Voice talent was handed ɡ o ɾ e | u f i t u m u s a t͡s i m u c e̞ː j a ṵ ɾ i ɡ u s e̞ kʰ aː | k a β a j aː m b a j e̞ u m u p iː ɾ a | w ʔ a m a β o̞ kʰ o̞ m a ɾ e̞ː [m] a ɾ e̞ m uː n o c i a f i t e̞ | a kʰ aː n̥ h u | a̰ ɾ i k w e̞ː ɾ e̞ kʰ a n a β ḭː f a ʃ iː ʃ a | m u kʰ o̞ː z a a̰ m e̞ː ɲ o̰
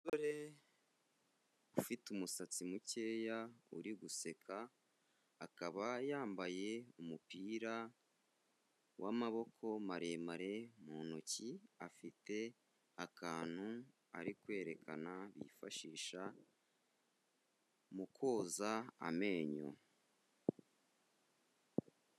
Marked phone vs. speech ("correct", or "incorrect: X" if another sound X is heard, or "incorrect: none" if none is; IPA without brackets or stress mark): correct